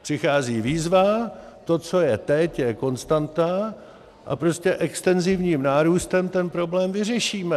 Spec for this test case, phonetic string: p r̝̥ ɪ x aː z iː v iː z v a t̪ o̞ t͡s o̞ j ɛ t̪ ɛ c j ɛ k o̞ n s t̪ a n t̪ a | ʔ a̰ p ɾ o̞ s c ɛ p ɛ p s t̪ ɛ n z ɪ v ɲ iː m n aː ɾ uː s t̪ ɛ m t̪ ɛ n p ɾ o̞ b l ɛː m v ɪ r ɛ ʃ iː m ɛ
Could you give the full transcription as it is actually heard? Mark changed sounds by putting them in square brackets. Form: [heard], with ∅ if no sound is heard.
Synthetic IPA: p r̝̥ ɪ x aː z iː v iː z v a t̪ o̞ t͡s o̞ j ɛ t̪ ɛ c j ɛ k o̞ n s t̪ a n t̪ a | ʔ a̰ p ɾ o̞ s c ɛ [ʔ] ɛ [k] s t̪ ɛ n z ɪ v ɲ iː m n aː ɾ uː s t̪ ɛ m t̪ ɛ n p ɾ o̞ b l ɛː m v ɪ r ɛ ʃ iː m ɛ